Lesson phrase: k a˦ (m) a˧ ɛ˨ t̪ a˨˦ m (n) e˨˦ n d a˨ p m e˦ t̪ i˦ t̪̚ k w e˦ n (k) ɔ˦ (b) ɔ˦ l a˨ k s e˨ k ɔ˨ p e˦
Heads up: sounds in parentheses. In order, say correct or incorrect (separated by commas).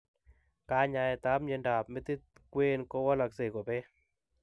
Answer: incorrect, incorrect, correct, incorrect